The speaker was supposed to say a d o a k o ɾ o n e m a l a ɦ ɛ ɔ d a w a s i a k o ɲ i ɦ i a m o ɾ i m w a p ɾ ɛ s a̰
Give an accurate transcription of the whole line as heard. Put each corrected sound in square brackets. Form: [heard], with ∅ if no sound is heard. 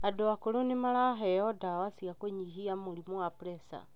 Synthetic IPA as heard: a d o a k o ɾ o n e m a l a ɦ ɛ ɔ d a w a s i a k o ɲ i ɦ i a m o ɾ i m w a p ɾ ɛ s a̰

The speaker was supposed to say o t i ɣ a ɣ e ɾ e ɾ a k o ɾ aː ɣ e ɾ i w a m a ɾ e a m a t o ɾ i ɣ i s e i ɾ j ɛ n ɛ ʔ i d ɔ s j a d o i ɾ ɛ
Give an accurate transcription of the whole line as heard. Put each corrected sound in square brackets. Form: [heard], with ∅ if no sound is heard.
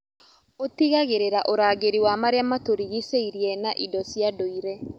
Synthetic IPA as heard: o t i ɣ a ɣ e ɾ e ɾ a [ʔ] o ɾ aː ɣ e ɾ i w a m a ɾ e a m a t o ɾ i ɣ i s e i ɾ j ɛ n [a] ʔ i d ɔ s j a d o i ɾ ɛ

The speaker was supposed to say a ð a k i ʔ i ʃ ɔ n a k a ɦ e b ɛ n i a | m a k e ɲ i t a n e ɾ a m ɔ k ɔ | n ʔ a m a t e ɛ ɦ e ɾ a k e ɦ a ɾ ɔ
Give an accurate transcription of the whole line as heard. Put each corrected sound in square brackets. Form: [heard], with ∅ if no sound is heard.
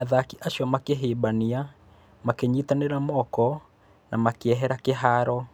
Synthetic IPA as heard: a ð a k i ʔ [a] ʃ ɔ [m] a k [e] ɦ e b [a] n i a | m a k e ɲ i t a n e ɾ a m ɔ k ɔ | n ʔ a m a [k] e ɛ ɦ [ɛ] ɾ a k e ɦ a ɾ ɔ

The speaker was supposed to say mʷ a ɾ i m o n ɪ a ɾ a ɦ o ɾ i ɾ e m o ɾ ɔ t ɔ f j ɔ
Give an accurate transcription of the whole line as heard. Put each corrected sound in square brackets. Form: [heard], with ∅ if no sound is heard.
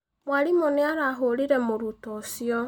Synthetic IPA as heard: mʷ a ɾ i m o n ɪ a ɾ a ɦ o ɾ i ɾ e m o ɾ [u] t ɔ [s] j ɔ

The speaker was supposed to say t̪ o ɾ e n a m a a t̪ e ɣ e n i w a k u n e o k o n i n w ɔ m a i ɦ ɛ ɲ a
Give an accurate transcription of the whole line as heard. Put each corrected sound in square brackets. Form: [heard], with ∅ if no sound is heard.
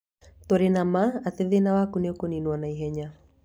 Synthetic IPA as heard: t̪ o ɾ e n a m a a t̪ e [ð] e n [a] w a k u n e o k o n i n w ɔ [n] a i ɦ ɛ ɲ a

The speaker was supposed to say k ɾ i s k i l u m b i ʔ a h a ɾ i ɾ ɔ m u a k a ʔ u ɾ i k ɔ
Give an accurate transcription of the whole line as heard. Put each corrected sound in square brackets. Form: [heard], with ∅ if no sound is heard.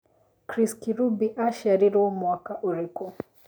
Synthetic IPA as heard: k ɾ i s k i [ɾ] u [∅] b i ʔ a [ʃ] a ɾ i ɾ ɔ m [w] a k a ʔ u ɾ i k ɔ

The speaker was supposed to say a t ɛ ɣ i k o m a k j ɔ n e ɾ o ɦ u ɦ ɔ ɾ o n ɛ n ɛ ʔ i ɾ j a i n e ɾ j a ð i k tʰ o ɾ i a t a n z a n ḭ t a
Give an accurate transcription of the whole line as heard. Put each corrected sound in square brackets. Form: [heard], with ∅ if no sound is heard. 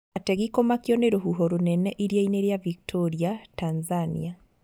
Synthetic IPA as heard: a t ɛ ɣ i k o m a k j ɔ n e ɾ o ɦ u ɦ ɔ ɾ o n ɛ n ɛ ʔ i ɾ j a i n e ɾ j a [v] i k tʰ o ɾ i a t a n z a n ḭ [∅] a

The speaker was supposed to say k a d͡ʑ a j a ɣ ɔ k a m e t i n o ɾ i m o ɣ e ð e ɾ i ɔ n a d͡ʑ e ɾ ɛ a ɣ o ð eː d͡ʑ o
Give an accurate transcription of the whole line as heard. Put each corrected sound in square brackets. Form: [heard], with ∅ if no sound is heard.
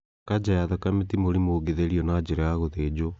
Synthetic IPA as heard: k a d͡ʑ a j a [ð] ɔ k a m e t i [m] o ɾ i m o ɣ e ð e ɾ i ɔ n a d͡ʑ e ɾ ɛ a ɣ o ð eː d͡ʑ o

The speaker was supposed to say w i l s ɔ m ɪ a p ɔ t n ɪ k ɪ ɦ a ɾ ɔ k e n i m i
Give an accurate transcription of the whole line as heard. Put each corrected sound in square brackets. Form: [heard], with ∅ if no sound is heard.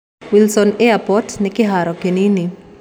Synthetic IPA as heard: w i l s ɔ [n] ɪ a p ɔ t n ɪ k ɪ ɦ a ɾ ɔ k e n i [n] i

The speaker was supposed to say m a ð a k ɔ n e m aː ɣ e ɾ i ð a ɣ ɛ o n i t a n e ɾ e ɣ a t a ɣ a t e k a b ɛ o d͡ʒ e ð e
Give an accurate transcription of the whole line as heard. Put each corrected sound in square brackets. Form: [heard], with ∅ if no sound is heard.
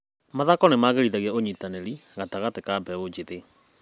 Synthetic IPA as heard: m a ð a k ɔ n e m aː ɣ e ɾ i ð a ɣ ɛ o [ɲ] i t a n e ɾ [i] ɣ a t a ɣ a t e k a b ɛ o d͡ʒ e ð e

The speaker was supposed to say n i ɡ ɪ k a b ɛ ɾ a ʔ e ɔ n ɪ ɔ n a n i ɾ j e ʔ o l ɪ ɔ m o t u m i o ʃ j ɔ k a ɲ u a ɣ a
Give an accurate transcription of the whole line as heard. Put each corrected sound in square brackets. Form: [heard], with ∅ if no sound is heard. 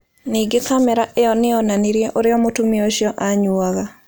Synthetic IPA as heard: n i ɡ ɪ k a [m] ɛ ɾ a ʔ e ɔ n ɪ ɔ n a n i ɾ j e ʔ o [ɾ] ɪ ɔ m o t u m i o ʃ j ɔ [ʔ] a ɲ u a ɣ a

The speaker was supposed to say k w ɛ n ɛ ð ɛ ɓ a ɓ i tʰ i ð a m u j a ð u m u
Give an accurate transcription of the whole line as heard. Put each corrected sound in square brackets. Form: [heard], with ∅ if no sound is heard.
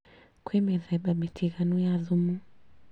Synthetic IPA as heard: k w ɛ [m] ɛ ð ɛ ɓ a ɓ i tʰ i [ɣ] a [n] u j a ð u m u

